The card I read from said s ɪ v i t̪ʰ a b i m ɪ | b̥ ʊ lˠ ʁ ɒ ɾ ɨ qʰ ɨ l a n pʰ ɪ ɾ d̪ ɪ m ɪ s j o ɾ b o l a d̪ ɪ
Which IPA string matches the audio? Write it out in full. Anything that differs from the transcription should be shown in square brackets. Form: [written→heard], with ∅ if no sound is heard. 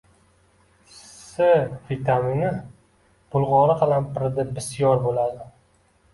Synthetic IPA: s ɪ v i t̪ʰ a [b→m] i [m→n] ɪ | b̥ ʊ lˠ ʁ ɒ ɾ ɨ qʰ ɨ l a n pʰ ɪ ɾ d̪ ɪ [m→b] ɪ s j [o→ɒ] ɾ b o l a d̪ ɪ